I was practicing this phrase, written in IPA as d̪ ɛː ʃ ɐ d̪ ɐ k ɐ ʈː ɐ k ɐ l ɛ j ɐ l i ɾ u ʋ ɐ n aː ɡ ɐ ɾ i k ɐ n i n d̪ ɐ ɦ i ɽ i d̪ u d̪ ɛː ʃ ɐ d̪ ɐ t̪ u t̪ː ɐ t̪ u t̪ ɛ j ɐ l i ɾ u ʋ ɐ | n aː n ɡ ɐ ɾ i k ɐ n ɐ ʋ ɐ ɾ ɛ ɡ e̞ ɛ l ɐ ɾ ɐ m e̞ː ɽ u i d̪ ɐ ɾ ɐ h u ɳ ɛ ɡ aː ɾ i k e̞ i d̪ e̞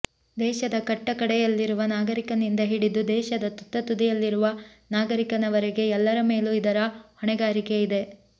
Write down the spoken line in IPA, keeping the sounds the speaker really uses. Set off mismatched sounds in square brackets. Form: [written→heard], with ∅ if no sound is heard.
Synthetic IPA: d̪ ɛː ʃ ɐ d̪ ɐ k ɐ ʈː ɐ k ɐ [l→ɽ] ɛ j ɐ [l→lː] i ɾ u ʋ ɐ n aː ɡ ɐ ɾ i k ɐ n i n d̪ ɐ ɦ i ɽ i d̪ u d̪ ɛː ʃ ɐ d̪ ɐ t̪ u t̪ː ɐ t̪ u [t̪→d̪] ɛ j ɐ [l→lː] i ɾ u ʋ ɐ | n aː [n→∅] ɡ ɐ ɾ i k ɐ n ɐ ʋ ɐ ɾ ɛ ɡ e̞ ɛ [l→lː] ɐ ɾ ɐ m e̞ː [ɽ→l] u i d̪ ɐ ɾ ɐ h [u→ɔ] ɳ ɛ ɡ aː ɾ i k e̞ i d̪ e̞